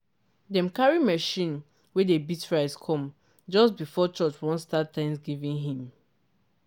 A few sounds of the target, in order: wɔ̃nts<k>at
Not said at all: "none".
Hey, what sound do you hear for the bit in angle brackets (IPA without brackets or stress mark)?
t